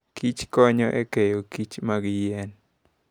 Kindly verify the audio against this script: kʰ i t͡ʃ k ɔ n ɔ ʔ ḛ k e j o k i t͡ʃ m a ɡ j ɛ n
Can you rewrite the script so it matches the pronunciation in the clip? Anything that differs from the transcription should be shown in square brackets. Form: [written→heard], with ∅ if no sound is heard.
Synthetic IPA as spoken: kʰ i t͡ʃ k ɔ [n→ɲ] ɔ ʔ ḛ k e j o k i t͡ʃ m a ɡ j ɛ n

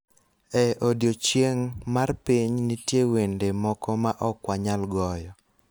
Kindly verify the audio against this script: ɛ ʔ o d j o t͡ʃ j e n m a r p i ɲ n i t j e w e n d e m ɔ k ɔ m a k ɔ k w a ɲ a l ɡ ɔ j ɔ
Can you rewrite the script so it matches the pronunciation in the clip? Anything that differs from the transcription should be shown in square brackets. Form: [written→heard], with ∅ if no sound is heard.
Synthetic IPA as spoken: ɛ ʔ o d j o t͡ʃ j e [n→ŋ] m a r p i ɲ n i t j e w e n d e m ɔ k ɔ m a [k→ʔ] ɔ k w a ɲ a l ɡ ɔ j ɔ

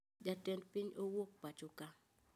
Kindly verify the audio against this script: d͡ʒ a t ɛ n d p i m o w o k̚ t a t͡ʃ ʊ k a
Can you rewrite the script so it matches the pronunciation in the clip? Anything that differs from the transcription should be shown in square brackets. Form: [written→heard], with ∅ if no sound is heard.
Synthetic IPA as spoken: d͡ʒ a t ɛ n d p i [m→ɲ] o w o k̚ [t→p] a t͡ʃ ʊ k a

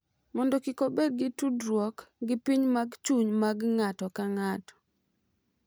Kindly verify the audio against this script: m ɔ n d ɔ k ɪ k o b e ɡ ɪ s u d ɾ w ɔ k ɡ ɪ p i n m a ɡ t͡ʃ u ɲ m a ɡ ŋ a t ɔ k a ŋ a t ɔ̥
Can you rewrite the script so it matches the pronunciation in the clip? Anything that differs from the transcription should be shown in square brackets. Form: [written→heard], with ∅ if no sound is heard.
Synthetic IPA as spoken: m ɔ n d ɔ k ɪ k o b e ɡ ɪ [s→t] u d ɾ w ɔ k ɡ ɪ p i [n→ɲ] m a ɡ t͡ʃ u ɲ m a ɡ ŋ a t ɔ k a ŋ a t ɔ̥

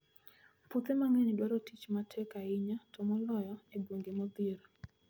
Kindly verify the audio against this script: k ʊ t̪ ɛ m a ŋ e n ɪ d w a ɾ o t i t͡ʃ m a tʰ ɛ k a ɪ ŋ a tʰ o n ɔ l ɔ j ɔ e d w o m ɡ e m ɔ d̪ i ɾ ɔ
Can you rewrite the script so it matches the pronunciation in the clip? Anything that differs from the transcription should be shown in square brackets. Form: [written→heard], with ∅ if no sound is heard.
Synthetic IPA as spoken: [k→p] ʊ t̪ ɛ m a ŋ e n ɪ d w a ɾ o t i t͡ʃ m a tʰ ɛ k a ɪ [ŋ→ɲ] a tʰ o [n→m] ɔ l ɔ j ɔ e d w o [m→ŋ] ɡ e m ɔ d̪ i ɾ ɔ

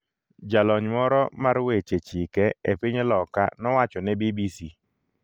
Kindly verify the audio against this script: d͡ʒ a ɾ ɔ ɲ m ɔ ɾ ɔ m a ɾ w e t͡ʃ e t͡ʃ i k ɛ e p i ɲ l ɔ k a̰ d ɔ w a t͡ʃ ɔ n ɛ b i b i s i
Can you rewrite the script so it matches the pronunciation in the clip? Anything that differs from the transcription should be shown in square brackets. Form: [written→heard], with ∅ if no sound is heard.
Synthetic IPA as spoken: d͡ʒ a [ɾ→l] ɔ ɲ m ɔ ɾ ɔ m a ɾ w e t͡ʃ e t͡ʃ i k ɛ e p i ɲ l ɔ k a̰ [d→n] ɔ w a t͡ʃ ɔ n ɛ b i b i s i

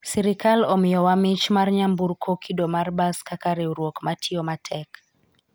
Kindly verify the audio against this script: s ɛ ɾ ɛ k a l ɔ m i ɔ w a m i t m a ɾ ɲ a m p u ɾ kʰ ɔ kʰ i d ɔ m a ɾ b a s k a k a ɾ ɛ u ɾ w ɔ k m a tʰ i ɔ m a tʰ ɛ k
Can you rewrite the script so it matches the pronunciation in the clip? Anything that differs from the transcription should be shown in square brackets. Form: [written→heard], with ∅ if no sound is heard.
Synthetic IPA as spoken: s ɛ ɾ [ɛ→i] k a l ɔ m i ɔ w a m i [t→t͡ʃ] m a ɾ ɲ a m [p→b] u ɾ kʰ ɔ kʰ i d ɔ m a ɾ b a s k a k a ɾ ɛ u ɾ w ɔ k m a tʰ i ɔ m a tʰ ɛ k

